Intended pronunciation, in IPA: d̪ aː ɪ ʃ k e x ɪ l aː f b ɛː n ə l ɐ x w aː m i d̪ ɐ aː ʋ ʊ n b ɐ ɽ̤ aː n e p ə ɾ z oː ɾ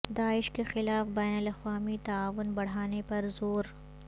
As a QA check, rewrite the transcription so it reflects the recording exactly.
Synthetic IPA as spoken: d̪ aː ɪ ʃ k e x ɪ l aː f b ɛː n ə l ɐ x w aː m i t̪ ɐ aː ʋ ʊ n b ɐ ɽ̤ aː n e p ɐ ɾ z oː ɾ